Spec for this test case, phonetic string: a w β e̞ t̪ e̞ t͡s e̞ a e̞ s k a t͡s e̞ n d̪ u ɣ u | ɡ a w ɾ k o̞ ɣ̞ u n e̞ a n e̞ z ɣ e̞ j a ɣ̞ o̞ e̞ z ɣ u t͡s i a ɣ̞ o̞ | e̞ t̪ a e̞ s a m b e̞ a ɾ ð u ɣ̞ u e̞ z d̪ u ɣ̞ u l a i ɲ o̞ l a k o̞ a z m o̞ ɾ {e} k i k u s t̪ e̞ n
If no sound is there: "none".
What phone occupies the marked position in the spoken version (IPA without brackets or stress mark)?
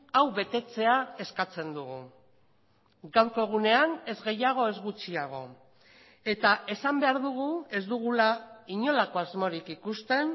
i